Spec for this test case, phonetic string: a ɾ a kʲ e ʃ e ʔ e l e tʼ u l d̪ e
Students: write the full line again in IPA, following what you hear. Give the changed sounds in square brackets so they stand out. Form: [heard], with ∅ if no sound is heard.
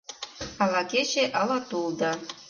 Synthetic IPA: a [l] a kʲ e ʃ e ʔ [a] l [a] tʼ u l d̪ [a]